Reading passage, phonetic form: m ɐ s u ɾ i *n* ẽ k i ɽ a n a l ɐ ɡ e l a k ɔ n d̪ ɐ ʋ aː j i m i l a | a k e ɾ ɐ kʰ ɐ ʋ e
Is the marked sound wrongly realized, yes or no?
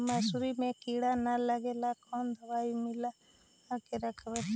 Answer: yes